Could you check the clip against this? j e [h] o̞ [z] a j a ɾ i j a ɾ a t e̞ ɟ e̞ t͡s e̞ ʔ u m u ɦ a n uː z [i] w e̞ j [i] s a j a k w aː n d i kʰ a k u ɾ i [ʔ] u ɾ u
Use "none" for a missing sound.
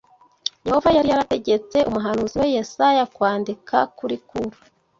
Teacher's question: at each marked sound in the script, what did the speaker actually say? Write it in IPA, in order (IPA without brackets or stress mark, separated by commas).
h, v, i, e, k